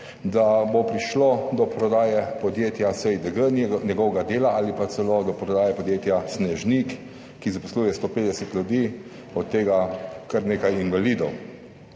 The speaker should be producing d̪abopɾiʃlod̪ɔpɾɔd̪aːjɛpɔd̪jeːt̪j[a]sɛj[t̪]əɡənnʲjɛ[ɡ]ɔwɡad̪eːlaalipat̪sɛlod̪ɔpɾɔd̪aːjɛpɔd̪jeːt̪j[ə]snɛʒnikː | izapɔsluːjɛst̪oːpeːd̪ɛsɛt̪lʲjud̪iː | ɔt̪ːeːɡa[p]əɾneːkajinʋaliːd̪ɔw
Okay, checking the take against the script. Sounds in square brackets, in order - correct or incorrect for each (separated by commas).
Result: correct, incorrect, correct, incorrect, incorrect